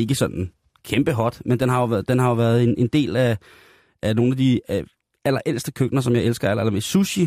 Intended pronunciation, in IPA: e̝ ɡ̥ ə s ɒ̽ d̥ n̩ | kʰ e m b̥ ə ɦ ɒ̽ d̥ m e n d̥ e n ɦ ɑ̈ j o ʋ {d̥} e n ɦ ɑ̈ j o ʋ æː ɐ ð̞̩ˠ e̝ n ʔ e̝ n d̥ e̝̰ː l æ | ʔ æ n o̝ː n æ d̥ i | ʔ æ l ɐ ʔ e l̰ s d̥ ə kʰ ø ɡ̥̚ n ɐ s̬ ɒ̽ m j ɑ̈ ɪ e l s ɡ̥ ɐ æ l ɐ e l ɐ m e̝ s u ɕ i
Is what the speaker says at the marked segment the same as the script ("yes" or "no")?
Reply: yes